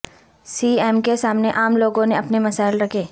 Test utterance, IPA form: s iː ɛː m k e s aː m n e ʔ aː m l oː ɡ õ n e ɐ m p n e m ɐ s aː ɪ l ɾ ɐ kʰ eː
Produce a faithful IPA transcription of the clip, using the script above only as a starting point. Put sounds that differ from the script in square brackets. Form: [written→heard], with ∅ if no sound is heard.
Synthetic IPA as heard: s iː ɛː m k e s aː m n e ʔ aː m l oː ɡ õ n e ɐ [m→∅] p n e m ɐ s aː ɪ l ɾ ɐ kʰ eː